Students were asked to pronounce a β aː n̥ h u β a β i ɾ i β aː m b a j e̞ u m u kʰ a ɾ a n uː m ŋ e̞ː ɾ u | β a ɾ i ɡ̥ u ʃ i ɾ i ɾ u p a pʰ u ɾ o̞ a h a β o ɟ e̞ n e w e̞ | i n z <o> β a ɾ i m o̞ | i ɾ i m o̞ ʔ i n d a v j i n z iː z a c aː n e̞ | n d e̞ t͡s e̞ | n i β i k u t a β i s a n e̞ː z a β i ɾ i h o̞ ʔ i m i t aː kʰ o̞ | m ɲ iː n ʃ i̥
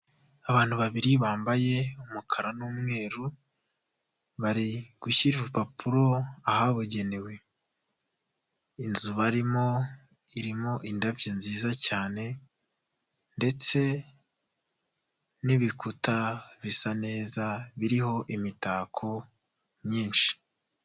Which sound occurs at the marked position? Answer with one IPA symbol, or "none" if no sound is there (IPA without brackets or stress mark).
u